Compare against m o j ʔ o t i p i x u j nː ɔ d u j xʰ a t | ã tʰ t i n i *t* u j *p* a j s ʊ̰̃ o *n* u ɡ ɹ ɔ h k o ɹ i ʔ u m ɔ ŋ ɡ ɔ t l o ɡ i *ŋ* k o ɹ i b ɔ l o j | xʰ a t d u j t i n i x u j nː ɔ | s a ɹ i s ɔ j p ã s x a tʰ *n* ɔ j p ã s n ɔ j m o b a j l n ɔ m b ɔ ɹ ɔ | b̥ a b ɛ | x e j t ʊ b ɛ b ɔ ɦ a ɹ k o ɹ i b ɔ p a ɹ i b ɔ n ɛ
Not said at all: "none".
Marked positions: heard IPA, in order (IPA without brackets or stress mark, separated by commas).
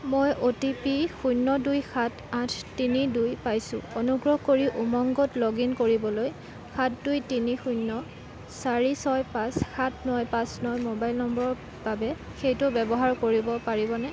d, p, n, n, n